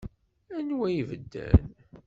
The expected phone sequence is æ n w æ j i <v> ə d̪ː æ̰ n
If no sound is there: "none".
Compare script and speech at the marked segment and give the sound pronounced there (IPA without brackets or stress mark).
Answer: v